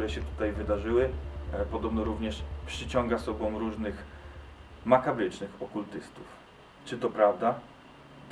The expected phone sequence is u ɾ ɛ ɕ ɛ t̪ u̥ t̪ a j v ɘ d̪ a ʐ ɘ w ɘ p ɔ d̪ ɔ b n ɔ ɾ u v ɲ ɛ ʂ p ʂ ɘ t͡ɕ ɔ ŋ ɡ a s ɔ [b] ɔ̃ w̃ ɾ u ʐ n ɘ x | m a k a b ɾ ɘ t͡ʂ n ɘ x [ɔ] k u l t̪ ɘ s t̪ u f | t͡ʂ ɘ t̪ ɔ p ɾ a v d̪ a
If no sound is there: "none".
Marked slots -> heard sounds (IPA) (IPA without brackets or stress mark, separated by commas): b, ɔ